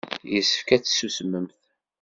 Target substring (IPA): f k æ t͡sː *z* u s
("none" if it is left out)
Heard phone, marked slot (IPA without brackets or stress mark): s